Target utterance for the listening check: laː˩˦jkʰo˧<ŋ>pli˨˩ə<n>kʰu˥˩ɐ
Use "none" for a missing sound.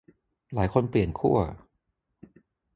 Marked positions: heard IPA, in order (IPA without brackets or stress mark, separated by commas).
n, n